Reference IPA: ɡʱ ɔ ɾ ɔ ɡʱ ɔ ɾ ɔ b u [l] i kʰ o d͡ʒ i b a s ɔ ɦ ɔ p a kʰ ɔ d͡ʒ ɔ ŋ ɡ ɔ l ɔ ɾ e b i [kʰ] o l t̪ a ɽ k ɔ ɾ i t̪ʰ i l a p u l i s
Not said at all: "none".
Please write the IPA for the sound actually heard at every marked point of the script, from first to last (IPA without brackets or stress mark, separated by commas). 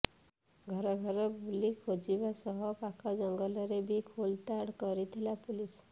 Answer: l, kʰ